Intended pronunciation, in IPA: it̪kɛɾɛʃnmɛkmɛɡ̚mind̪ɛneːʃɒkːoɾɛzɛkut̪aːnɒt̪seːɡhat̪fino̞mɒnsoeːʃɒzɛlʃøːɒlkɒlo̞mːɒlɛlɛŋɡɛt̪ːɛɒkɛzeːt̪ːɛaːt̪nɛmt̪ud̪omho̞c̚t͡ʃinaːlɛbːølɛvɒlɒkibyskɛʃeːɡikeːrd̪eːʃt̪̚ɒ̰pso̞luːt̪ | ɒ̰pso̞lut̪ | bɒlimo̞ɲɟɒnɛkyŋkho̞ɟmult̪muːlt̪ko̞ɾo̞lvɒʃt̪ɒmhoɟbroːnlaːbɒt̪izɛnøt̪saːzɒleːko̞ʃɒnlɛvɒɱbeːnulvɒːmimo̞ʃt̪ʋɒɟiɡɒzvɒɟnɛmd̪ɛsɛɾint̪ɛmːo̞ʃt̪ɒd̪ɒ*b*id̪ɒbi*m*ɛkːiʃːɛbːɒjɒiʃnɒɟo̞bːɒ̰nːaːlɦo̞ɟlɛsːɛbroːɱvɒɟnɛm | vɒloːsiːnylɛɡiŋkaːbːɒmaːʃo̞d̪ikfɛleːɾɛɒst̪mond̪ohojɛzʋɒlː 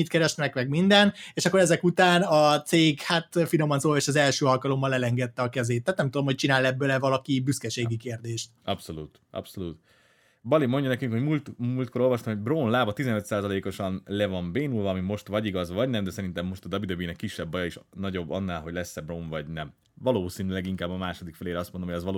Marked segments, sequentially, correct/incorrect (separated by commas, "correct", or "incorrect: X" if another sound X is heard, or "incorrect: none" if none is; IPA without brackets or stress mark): correct, incorrect: n